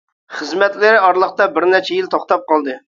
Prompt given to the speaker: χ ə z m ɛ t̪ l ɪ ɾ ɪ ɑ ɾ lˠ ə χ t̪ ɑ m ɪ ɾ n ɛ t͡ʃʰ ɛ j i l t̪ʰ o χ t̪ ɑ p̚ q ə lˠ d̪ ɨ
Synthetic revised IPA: χ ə z m ɛ t̪ l ɪ ɾ ɪ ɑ ɾ lˠ ə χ t̪ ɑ b ɪ ɾ n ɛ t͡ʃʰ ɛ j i l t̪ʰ o χ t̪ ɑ p̚ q ɑ lˠ d̪ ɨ

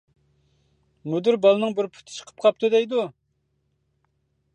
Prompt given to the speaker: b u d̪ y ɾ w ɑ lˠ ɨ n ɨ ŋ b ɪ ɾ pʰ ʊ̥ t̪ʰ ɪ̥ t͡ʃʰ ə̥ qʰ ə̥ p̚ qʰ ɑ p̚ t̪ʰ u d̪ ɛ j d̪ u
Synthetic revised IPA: m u d̪ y ɾ b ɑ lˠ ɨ n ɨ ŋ b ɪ ɾ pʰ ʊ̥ t̪ʰ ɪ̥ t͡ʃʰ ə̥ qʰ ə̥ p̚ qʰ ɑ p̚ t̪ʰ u d̪ ɛ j d̪ u

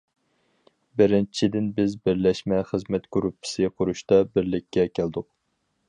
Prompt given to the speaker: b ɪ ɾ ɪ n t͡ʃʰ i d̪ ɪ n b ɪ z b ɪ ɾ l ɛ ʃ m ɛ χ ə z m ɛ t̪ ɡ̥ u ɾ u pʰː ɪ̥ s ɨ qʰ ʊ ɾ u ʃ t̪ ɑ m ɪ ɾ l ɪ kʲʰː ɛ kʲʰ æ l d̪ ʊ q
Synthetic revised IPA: b ɪ ɾ ɪ n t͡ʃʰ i d̪ ɪ n b ɪ z b ɪ ɾ l ɛ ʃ m ɛ χ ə z m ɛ t̪ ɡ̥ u ɾ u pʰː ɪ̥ s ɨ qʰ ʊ ɾ u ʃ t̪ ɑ b ɪ ɾ l ɪ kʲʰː ɛ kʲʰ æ l d̪ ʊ q

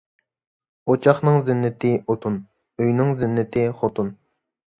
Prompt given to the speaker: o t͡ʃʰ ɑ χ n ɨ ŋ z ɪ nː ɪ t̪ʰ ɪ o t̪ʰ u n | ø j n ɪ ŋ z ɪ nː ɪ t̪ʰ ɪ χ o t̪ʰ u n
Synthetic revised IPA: o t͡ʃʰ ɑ χ n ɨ ŋ z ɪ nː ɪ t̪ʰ ɪ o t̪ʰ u n | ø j n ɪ ŋ z ɪ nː ɪ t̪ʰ ɪ χ o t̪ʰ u n

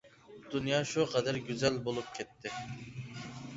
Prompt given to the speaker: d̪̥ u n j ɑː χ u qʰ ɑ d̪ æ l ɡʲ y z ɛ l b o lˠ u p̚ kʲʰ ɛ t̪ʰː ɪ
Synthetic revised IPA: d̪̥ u n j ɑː ʃ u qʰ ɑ d̪ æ ɾ ɡʲ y z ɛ l b o lˠ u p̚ kʲʰ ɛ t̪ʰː ɪ

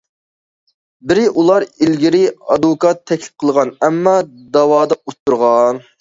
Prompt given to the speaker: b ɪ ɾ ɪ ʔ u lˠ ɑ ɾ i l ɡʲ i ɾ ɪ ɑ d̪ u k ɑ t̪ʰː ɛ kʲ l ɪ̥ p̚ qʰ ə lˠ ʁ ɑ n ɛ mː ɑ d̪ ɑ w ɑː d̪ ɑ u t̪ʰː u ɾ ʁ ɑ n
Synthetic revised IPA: b ɪ ɾ ɪ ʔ u lˠ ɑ ɾ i l ɡʲ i ɾ ɪ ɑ d̪ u k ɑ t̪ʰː ɛ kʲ l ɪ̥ p̚ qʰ ə lˠ ʁ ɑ n ɛ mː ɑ d̪ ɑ w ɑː d̪ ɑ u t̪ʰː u ɾ ʁ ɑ n

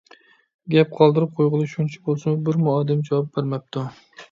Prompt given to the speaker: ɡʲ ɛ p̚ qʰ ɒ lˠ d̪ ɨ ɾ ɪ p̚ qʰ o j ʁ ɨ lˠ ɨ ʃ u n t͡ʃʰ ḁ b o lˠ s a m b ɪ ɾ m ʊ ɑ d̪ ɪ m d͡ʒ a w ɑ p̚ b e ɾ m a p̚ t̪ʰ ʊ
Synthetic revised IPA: ɡʲ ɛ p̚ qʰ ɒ lˠ d̪ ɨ ɾ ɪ p̚ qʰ o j ʁ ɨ lˠ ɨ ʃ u n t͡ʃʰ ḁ b o lˠ s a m b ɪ ɾ m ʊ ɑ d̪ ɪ m d͡ʒ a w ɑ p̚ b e ɾ m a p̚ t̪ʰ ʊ

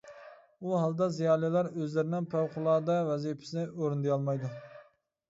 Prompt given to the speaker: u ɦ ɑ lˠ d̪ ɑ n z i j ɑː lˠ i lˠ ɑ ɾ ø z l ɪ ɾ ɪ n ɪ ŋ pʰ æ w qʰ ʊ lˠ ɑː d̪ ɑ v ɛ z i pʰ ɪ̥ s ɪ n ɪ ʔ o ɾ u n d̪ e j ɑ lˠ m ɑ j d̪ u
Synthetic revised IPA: u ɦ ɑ lˠ d̪ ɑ z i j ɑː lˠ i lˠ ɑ ɾ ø z l ɪ ɾ ɪ n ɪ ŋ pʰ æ w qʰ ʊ lˠ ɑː d̪ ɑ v ɛ z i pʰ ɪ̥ s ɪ n ɪ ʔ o ɾ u n d̪ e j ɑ lˠ m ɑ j d̪ u

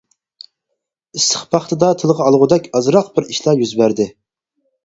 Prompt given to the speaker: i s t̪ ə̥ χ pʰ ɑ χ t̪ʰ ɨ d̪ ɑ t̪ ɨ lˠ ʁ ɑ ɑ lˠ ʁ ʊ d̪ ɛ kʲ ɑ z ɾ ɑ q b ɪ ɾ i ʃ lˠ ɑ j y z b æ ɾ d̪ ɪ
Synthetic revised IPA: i s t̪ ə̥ χ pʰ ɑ χ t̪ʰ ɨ d̪ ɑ t̪ʰ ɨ lˠ ʁ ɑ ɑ lˠ ʁ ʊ d̪ ɛ kʲ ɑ z ɾ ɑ q b ɪ ɾ i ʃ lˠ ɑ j y z b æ ɾ d̪ ɪ

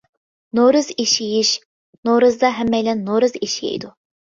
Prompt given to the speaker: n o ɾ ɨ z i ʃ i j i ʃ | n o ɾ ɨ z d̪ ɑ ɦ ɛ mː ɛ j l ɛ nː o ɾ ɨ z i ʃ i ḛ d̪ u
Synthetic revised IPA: n o ɾ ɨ z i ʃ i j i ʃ | n o ɾ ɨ z d̪ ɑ ɦ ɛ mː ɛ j l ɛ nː o ɾ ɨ z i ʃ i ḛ d̪ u

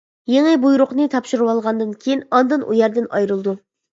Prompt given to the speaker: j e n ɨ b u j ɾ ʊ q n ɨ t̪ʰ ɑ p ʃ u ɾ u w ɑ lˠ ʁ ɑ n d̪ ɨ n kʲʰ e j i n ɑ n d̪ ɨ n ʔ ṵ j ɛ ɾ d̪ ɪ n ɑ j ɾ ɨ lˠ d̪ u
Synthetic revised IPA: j e ŋ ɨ b u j ɾ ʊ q n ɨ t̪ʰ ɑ p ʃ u ɾ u w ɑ lˠ ʁ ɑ n d̪ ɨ n kʲʰ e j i n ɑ n d̪ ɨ n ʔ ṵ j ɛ ɾ d̪ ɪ n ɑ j ɾ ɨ lˠ d̪ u

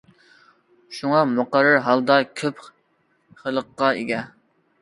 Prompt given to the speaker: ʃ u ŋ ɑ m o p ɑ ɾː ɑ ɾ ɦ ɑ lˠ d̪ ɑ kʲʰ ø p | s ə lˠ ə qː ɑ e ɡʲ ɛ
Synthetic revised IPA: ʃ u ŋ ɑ m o q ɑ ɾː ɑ ɾ ɦ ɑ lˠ d̪ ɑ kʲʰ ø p | χ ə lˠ ə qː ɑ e ɡʲ ɛ

